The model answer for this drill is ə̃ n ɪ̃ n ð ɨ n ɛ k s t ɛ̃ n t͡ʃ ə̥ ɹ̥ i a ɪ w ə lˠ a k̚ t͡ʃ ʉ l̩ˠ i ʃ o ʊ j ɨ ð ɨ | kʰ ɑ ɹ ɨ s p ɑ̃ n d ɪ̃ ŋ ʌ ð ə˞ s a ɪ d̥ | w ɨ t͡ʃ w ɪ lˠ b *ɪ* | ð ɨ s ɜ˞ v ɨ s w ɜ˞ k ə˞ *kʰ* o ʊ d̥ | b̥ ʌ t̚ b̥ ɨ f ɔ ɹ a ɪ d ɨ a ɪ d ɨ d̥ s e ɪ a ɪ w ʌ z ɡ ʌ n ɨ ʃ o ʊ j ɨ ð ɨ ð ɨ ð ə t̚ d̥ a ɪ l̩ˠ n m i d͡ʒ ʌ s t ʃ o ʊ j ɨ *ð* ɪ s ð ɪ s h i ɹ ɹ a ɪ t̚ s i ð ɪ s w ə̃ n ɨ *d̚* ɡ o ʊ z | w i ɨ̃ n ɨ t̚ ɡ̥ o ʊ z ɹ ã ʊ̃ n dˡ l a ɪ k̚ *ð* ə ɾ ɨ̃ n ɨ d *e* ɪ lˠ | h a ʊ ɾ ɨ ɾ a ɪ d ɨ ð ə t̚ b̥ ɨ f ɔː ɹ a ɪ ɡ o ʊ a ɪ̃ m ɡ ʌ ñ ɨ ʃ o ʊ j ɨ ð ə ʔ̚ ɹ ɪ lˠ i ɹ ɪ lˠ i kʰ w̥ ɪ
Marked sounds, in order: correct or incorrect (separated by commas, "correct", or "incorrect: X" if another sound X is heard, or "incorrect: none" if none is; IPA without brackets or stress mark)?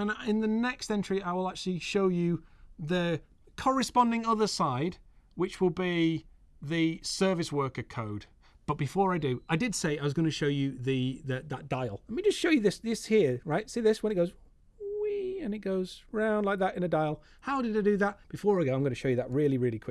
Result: incorrect: i, correct, correct, incorrect: t̚, correct, incorrect: a